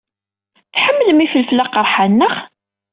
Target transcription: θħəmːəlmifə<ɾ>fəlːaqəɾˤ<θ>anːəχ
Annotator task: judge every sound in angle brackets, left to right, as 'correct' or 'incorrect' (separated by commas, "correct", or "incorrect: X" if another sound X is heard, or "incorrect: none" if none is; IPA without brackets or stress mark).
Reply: incorrect: l, incorrect: ħ